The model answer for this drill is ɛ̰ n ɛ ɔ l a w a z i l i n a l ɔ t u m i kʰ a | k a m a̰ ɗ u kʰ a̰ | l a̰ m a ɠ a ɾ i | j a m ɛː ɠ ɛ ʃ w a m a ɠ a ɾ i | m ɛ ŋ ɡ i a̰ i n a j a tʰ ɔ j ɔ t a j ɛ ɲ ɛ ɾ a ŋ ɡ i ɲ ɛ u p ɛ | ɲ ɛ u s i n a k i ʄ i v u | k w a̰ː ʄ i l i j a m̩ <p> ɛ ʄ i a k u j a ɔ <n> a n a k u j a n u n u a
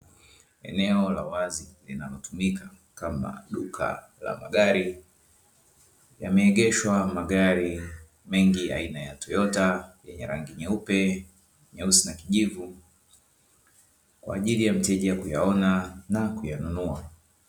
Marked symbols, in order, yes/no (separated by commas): no, yes